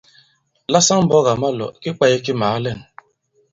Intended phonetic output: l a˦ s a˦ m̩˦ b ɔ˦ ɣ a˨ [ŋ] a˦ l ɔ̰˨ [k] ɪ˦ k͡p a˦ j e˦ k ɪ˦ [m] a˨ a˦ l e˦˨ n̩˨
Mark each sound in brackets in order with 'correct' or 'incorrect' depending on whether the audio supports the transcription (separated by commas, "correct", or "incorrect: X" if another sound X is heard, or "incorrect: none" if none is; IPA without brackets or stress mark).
incorrect: m, correct, correct